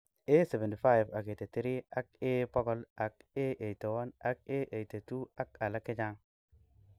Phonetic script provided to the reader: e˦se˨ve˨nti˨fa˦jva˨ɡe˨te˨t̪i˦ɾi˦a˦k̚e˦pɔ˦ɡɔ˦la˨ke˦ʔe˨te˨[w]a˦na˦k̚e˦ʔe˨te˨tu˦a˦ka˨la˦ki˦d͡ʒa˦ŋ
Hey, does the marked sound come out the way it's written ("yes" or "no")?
yes